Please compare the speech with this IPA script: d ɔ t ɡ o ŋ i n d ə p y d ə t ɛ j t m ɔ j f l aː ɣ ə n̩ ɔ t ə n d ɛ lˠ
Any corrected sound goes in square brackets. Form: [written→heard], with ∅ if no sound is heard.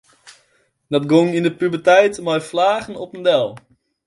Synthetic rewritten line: d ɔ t ɡ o ŋ i n d ə p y [d→b] ə t ɛ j t m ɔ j f l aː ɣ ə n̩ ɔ [t→p] ə n d ɛ lˠ